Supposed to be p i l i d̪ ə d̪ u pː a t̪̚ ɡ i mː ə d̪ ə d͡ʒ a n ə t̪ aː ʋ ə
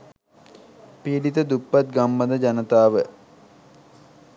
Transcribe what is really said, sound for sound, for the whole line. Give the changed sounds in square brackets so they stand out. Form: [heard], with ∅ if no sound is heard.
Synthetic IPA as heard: p i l i [t̪] ə d̪ u pː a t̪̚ ɡ [a] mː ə d̪ ə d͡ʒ a n ə t̪ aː ʋ ə